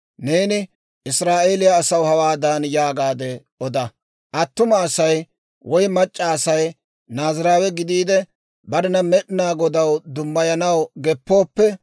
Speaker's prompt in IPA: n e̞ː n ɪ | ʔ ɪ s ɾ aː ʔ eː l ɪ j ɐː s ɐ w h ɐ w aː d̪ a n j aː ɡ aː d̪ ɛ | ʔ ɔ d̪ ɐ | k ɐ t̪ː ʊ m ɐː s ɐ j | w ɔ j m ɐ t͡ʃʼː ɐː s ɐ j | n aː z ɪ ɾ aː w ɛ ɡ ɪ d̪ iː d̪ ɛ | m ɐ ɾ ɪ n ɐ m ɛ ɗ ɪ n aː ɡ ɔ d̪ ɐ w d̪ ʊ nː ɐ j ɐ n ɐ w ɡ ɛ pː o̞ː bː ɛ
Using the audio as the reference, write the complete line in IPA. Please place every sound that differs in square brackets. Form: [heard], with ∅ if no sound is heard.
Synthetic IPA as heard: n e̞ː n ɪ | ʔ ɪ s ɾ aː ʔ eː l ɪ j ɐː s ɐ w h ɐ w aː d̪ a n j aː ɡ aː d̪ ɛ | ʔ ɔ d̪ ɐ | [ʔ] ɐ t̪ː ʊ m ɐː s ɐ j | w ɔ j m ɐ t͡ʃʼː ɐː s ɐ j | n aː z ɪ ɾ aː w ɛ ɡ ɪ d̪ iː d̪ ɛ | [b] ɐ ɾ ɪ n ɐ m ɛ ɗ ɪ n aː ɡ ɔ d̪ ɐ w d̪ ʊ [mː] ɐ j ɐ n ɐ w ɡ ɛ pː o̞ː [pː] ɛ